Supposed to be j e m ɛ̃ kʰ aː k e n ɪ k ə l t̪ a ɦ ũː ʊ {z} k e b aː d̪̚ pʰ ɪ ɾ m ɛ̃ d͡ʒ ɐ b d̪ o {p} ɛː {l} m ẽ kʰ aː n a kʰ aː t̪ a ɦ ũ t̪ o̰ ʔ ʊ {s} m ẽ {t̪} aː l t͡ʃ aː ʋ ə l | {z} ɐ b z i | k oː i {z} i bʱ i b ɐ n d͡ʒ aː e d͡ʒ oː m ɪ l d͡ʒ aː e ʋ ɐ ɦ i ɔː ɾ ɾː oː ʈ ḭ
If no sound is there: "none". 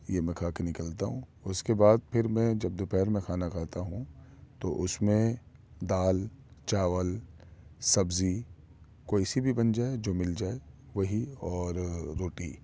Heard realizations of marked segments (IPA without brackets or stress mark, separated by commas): s, p, ɾ, s, d̪, s, s